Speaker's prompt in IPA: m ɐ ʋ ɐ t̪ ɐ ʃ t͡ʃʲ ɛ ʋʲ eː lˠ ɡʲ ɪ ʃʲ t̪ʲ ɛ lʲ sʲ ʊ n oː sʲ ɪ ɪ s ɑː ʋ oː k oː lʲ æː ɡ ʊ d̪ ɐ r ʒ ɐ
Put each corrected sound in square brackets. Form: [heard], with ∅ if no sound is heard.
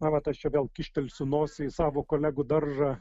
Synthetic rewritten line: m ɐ ʋ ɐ t̪ ɐ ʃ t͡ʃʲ ɛ ʋʲ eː lˠ [kʲ] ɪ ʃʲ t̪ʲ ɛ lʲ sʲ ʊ n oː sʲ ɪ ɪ s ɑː ʋ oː k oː lʲ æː ɡ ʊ d̪ ɐ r ʒ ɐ